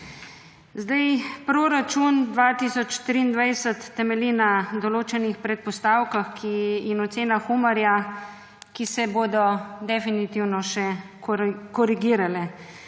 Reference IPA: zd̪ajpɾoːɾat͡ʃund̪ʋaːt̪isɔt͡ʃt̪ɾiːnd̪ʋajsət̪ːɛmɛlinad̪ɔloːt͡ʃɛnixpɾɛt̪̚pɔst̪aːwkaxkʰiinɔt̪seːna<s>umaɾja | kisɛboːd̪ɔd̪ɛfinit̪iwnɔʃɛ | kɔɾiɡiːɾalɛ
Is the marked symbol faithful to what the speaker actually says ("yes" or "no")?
no